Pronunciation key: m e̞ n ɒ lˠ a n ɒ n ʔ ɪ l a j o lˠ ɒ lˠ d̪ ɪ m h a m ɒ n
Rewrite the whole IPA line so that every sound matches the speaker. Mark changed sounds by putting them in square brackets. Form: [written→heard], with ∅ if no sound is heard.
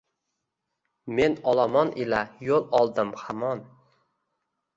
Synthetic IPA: m e̞ n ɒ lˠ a [n→m] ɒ n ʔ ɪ l a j o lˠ ɒ lˠ d̪ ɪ m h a m ɒ n

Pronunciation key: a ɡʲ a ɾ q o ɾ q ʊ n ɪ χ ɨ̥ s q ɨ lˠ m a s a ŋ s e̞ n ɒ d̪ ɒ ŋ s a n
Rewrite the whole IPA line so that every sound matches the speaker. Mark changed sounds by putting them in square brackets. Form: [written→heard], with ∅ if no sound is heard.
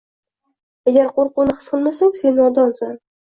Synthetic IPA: a ɡʲ a ɾ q o ɾ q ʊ n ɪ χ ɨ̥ s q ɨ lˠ m a s a ŋ s e̞ n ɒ d̪ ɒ [ŋ→n] s a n

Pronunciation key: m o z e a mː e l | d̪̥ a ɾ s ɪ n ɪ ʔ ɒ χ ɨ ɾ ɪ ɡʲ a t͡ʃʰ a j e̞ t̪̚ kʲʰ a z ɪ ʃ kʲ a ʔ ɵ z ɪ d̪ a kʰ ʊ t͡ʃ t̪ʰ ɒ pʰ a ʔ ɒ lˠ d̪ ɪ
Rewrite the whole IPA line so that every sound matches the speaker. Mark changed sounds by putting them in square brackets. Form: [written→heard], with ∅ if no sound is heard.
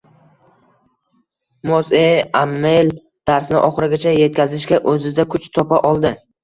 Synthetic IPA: m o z e a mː e l | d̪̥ a ɾ s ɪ n ɪ ʔ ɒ χ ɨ ɾ ɪ ɡʲ a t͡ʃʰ a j e̞ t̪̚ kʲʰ a z ɪ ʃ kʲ a ʔ ɵ z ɪ d̪ a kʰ ʊ t͡ʃ t̪ʰ ɒ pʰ a ʔ ɒ lˠ d̪ ɪ

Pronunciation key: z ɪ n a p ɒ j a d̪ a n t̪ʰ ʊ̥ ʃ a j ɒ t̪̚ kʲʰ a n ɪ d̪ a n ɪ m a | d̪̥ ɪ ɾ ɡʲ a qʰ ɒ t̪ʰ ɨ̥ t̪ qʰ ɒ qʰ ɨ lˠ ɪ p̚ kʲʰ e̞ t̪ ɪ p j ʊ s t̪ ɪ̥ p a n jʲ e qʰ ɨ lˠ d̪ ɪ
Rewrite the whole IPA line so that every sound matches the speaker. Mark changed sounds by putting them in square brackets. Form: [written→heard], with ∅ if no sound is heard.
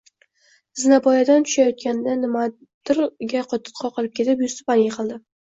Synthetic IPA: z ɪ n a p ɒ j a d̪ a n t̪ʰ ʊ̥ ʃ a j ɒ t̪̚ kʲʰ a n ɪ d̪ a n ɪ m a | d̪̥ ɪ ɾ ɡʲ a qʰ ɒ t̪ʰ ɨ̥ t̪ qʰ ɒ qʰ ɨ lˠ ɪ p̚ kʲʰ e̞ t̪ ɪ p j ʊ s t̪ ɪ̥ p a n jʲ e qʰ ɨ lˠ d̪ ɪ

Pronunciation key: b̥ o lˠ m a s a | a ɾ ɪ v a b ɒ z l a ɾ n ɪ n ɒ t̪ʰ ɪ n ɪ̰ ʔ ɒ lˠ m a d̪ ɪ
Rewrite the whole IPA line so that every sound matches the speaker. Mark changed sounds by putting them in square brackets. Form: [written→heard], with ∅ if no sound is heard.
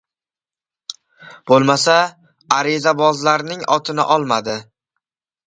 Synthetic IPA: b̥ o lˠ m a s a | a ɾ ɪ [v→z] a b ɒ z l a ɾ n ɪ [n→ŋ] ɒ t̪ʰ ɪ n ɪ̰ ʔ ɒ lˠ m a d̪ ɪ

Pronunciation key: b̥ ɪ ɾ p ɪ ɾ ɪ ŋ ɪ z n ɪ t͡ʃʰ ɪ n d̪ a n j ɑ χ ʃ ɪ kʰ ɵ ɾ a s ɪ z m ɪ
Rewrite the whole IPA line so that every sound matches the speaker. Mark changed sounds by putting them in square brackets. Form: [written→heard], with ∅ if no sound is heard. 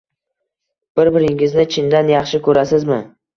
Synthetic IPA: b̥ ɪ ɾ [p→b] ɪ ɾ ɪ ŋ ɪ z n ɪ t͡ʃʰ ɪ n d̪ a n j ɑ χ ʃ ɪ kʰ ɵ ɾ a s ɪ z m ɪ

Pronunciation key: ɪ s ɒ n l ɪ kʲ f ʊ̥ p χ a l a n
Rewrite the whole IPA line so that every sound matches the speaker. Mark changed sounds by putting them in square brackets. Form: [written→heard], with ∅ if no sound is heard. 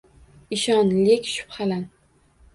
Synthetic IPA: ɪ [s→ʃ] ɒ n l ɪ kʲ [f→ʃ] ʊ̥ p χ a l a n

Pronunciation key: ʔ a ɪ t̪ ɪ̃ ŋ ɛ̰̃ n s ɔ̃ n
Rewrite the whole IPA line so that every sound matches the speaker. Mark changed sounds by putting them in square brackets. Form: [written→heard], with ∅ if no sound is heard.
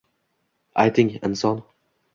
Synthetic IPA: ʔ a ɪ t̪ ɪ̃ ŋ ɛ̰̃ n s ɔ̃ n

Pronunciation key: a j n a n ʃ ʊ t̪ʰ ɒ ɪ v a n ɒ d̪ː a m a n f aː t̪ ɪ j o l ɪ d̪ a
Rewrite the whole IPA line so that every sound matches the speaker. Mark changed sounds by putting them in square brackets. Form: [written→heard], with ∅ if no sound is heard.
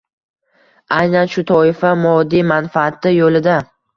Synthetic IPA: a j n a n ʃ ʊ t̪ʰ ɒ ɪ [v→f] a [n→m] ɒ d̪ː [a→i] m a n f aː t̪ ɪ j o l ɪ d̪ a

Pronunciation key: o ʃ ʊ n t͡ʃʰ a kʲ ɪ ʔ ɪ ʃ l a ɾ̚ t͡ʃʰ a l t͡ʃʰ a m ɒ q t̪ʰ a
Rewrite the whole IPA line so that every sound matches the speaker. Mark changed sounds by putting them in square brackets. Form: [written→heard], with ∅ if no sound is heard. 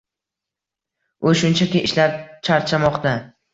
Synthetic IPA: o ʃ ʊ n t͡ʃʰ a kʲ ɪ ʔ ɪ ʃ l a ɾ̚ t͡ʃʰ a [l→ɾ] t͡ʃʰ a m ɒ q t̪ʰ a

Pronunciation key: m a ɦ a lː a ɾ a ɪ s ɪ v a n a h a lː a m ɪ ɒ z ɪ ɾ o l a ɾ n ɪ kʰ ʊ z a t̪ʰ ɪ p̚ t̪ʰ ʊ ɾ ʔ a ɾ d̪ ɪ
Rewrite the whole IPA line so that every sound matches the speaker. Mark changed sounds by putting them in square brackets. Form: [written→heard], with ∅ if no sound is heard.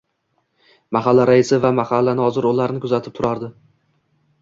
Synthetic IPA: m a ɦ a lː a ɾ a ɪ s ɪ v a [n→m] a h a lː a [m→n] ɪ ɒ z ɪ ɾ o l a ɾ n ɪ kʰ ʊ z a t̪ʰ ɪ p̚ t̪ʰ ʊ ɾ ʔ a ɾ d̪ ɪ

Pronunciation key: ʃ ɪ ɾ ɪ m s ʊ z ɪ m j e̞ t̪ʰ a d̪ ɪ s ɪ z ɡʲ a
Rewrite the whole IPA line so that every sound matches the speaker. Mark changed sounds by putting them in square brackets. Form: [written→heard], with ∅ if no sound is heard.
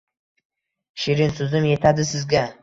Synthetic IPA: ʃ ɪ ɾ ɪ [m→n] s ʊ z ɪ m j e̞ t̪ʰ a d̪ ɪ s ɪ z ɡʲ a

